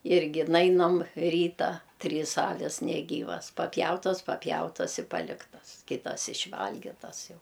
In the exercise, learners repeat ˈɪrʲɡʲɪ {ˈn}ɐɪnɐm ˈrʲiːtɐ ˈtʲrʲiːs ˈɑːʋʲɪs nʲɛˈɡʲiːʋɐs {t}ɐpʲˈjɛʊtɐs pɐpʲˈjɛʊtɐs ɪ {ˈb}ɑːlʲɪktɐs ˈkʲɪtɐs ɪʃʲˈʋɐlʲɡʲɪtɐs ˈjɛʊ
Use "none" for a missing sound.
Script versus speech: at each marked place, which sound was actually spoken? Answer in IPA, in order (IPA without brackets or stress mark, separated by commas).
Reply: n, p, p